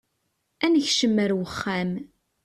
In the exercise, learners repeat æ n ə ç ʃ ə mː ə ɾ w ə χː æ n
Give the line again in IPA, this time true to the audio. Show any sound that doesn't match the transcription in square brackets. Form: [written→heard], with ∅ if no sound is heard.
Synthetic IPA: æ n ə ç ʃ ə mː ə ɾ w ə χː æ [n→m]